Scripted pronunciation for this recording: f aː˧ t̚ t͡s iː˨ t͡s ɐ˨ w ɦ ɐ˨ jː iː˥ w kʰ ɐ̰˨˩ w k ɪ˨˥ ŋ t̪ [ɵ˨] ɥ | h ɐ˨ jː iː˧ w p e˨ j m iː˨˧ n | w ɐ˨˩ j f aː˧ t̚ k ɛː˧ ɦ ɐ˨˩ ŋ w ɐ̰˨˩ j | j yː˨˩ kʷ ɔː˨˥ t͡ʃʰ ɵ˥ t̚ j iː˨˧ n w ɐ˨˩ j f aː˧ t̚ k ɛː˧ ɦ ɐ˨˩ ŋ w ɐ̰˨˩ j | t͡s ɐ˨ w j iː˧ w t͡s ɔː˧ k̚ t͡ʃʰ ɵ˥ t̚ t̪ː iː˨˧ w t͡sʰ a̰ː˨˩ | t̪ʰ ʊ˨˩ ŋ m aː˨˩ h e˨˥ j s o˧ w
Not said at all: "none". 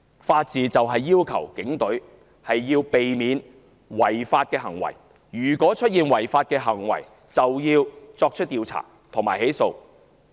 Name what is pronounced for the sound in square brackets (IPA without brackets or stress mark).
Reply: ɵ˨˥